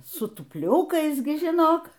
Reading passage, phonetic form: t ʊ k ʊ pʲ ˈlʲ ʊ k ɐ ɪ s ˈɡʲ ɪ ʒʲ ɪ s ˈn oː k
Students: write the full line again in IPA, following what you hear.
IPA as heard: s ʊ t ʊ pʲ ˈlʲ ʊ k ɐ ɪ s ˈɡʲ ɪ ʒʲ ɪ ˈn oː k